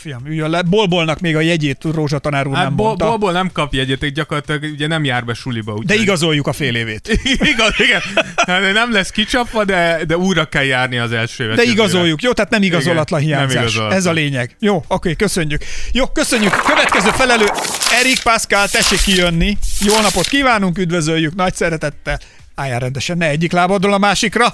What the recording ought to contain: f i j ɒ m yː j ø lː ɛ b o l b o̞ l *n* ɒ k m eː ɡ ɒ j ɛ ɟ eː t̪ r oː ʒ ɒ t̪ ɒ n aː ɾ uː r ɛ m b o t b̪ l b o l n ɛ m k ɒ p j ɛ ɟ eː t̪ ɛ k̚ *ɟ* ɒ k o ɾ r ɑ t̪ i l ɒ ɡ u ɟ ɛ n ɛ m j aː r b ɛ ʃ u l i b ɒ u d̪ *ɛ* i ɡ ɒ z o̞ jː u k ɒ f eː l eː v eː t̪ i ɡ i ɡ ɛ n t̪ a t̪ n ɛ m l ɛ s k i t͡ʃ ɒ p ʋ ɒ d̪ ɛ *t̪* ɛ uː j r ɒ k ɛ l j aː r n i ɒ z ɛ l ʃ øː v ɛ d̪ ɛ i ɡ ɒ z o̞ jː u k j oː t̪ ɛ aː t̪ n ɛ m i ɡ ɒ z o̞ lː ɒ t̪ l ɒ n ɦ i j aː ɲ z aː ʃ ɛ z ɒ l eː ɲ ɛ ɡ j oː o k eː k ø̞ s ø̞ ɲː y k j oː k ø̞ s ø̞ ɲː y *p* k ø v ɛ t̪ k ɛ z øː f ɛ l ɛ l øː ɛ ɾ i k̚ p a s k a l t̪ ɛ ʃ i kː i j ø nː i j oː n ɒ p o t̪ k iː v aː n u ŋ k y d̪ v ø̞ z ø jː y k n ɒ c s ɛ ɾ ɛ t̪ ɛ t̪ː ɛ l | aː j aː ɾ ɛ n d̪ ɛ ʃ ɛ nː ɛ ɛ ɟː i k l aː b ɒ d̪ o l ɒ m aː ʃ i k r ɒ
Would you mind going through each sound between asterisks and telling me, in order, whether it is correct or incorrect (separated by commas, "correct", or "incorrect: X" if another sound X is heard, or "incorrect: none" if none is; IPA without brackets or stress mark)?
correct, correct, correct, incorrect: d̪, incorrect: k